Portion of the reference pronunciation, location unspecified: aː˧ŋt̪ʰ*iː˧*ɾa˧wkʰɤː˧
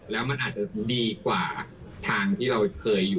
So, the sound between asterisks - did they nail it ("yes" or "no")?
no